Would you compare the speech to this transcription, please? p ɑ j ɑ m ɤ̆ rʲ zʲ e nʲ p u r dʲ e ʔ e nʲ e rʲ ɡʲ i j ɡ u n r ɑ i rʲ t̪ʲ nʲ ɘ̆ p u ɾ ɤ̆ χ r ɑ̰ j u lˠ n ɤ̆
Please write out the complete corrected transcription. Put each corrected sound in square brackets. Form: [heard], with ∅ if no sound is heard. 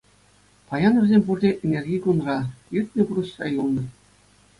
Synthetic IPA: p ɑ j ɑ [n] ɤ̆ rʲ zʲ e [mʲ] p u r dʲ e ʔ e nʲ e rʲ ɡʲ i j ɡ u n r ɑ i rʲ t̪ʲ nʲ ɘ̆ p u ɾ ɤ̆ [ɕ] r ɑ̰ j u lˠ n ɤ̆